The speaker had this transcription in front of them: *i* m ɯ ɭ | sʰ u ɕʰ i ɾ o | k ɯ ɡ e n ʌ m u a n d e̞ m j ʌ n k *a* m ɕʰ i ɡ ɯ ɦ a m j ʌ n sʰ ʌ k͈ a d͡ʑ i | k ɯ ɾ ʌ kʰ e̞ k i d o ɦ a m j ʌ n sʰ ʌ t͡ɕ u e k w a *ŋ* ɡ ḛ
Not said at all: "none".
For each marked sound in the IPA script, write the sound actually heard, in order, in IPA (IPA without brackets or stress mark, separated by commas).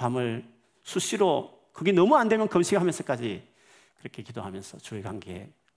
a, ʌ, ŋ